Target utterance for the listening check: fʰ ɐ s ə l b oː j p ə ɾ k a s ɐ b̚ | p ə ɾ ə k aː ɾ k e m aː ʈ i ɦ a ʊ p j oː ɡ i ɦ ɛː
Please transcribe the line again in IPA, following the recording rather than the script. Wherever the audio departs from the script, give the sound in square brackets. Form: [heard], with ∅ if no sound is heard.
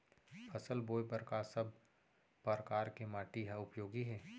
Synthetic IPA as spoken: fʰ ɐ s ə l b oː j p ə ɾ k a s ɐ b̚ | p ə ɾ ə k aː ɾ k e m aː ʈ i ɦ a ʊ p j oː ɡ i ɦ ɛː